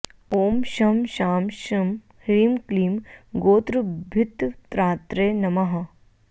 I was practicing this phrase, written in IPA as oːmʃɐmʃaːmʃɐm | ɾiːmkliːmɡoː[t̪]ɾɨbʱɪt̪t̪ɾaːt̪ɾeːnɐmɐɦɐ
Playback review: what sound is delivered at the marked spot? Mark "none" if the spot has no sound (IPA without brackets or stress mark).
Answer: t̪